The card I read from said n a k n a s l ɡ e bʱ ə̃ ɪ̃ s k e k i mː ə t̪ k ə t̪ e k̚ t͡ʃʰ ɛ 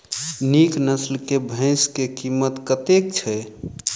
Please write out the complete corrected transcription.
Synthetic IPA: n i k n ə s l k e bʱ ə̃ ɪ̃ s k e k i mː ə t̪ k ə t̪ e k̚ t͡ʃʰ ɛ